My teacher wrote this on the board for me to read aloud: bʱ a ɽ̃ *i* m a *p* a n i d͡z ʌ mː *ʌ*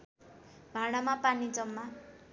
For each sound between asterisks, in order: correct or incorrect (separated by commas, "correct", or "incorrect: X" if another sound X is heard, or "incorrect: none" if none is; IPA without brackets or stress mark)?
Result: incorrect: a, correct, incorrect: a